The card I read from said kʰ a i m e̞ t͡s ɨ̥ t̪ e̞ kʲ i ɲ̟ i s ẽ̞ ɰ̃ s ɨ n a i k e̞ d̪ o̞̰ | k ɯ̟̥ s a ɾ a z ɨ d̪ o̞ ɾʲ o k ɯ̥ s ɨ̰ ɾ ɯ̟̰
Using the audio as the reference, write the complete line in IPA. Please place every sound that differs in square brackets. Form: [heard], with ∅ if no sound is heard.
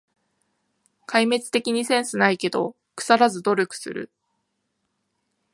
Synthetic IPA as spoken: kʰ a i m e̞ t͡s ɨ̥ t̪ e̞ kʲ i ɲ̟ i s ẽ̞ ɰ̃ s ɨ n a i k e̞ d̪ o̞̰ | k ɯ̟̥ s a ɾ a z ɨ d̪ o̞ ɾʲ o k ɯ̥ s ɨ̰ ɾ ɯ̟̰